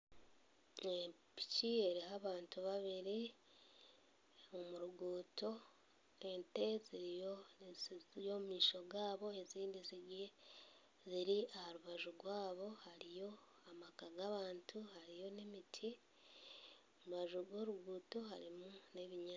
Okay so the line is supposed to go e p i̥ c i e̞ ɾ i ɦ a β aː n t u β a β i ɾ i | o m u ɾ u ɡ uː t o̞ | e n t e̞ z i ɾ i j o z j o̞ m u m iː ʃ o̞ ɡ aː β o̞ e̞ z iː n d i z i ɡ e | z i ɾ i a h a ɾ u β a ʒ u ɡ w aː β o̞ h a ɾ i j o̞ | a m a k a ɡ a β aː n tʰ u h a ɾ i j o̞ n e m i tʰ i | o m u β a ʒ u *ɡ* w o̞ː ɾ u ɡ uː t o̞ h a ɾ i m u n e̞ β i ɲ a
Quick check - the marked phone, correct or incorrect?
correct